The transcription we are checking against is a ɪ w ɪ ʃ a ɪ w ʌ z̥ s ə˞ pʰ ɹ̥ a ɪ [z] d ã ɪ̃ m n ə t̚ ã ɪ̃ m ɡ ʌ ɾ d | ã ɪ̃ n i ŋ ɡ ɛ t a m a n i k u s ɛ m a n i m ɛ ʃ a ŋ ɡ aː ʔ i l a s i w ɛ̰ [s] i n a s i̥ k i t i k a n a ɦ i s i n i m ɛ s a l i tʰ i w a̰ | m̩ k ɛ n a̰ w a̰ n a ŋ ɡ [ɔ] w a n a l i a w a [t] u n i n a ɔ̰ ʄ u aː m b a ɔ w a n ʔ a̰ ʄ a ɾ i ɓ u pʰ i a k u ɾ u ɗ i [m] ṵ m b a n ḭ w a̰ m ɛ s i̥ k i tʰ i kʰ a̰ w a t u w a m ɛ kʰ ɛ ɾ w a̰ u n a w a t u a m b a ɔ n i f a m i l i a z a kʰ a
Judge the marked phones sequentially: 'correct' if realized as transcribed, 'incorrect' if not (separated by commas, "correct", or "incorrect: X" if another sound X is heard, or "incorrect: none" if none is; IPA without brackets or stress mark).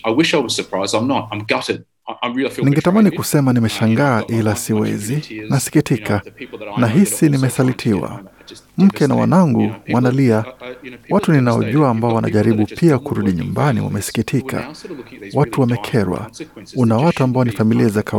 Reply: correct, incorrect: z, incorrect: u, correct, incorrect: ɲ